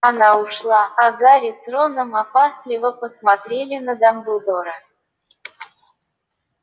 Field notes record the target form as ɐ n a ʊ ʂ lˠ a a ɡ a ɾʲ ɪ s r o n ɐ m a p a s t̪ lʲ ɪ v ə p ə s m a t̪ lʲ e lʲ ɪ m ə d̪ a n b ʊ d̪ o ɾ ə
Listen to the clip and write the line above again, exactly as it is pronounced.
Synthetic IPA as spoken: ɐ n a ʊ ʂ lˠ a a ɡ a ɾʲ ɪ s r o n ə m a p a s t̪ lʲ ɪ v ə p ə s m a t̪ ɾʲ e lʲ ɪ n ə d̪ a m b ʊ d̪ o ɾ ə